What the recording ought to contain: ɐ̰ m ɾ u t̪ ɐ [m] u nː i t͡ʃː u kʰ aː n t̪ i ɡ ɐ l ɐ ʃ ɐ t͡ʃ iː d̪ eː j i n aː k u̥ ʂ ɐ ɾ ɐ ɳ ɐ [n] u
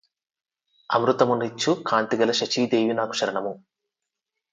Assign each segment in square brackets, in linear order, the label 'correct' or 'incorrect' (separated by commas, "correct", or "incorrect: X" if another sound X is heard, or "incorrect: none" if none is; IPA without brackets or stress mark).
correct, incorrect: m